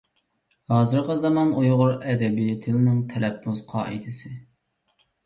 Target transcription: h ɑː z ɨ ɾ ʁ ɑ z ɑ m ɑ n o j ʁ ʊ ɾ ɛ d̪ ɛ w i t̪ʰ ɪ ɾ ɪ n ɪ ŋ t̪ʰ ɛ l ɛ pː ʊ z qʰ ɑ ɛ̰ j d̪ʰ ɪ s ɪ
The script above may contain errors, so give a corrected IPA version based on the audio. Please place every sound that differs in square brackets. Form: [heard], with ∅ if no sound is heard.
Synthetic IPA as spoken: h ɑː z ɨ ɾ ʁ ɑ z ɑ m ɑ n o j ʁ ʊ ɾ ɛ d̪ ɛ [b] i t̪ʰ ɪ [l] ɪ n ɪ ŋ t̪ʰ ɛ l ɛ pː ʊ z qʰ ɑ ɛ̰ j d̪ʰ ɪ s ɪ